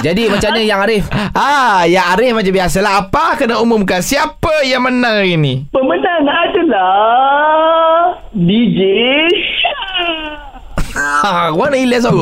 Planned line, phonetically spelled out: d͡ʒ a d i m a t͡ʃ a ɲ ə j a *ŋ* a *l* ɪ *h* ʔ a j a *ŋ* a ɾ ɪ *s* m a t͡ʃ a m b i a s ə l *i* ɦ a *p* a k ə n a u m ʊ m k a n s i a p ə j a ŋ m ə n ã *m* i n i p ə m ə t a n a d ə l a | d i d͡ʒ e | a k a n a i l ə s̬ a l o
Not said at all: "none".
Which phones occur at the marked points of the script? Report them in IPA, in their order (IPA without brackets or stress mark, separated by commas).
ŋ, ɾ, f, ŋ, f, a, p, ŋ